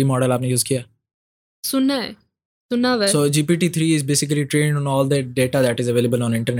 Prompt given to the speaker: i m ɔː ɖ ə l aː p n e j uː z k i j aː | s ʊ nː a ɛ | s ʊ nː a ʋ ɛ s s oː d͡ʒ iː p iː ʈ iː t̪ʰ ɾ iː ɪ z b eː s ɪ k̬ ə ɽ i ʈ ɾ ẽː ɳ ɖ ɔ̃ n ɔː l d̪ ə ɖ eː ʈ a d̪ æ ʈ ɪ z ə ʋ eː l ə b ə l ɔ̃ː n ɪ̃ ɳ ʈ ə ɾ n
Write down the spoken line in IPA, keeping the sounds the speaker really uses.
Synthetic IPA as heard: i m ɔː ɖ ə l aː p n e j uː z k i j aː | s ʊ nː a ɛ | s ʊ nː a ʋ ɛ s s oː d͡ʒ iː p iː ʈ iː t̪ʰ ɾ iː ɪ z b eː s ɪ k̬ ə l i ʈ ɾ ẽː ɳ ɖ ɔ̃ n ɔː l d̪ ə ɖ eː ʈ a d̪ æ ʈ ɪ z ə ʋ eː l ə b ə l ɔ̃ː n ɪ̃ ɳ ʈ ə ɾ n